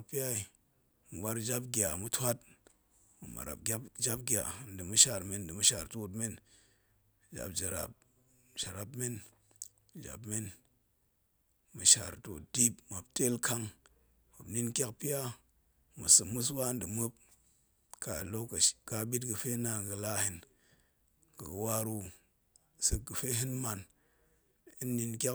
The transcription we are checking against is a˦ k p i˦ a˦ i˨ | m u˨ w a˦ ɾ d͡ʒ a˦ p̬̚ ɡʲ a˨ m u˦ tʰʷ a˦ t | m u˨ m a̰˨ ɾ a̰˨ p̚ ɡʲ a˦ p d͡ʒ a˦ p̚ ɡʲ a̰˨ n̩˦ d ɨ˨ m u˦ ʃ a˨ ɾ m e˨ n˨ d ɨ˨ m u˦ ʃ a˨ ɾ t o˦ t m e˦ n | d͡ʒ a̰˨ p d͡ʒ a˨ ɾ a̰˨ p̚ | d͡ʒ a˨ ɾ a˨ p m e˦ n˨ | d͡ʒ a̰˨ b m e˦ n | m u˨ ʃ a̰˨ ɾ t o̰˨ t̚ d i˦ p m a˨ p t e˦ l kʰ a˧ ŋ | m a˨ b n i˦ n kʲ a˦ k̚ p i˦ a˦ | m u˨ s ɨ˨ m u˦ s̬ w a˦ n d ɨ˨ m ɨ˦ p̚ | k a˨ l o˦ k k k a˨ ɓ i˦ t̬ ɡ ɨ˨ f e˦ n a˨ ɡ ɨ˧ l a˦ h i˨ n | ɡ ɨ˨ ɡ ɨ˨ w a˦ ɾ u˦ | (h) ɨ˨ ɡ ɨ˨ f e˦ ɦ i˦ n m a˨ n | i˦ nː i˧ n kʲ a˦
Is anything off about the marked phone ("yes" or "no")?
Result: yes